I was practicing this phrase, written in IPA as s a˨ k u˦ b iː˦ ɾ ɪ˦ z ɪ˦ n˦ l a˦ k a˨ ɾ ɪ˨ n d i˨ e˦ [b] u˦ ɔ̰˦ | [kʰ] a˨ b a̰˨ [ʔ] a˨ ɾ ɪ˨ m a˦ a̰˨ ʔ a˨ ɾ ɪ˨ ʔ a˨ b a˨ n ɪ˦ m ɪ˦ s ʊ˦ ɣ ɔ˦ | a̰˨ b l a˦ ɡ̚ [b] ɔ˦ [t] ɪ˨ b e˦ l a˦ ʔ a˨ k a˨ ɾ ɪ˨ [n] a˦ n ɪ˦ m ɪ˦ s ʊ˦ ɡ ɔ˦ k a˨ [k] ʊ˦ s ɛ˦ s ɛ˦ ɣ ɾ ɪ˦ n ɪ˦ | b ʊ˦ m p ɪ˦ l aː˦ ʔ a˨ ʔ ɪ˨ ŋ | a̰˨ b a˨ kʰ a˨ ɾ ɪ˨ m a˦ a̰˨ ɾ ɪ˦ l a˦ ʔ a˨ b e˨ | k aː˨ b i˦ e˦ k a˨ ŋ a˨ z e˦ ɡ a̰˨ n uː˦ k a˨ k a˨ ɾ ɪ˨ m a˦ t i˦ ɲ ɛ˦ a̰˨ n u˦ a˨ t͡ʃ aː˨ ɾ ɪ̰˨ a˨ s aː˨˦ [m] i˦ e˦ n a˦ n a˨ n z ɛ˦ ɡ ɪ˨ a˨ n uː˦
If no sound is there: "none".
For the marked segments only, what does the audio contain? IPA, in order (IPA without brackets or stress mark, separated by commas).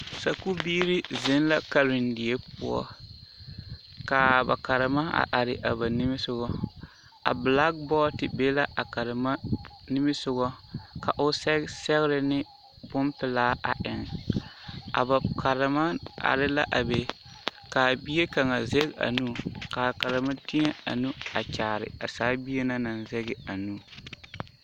p, k, k, b, t, m, ʔ, b